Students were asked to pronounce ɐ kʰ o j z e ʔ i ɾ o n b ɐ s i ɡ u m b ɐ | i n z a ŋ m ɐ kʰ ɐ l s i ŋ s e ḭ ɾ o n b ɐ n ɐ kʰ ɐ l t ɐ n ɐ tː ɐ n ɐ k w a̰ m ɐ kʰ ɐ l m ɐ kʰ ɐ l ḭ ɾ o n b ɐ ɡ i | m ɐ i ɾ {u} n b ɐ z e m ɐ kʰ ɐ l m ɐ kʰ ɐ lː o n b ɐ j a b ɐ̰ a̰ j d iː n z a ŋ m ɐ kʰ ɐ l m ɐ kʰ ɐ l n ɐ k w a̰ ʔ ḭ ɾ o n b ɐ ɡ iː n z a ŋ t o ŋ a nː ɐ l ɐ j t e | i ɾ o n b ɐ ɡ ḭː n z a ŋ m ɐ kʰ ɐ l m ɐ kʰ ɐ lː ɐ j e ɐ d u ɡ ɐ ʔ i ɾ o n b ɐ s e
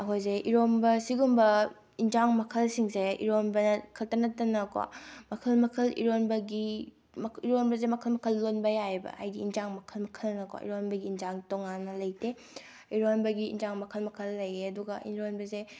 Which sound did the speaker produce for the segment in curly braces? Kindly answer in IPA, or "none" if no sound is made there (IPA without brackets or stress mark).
o